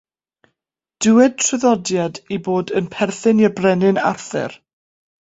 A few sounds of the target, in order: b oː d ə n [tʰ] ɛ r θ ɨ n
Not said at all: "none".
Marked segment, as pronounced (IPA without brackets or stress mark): pʰ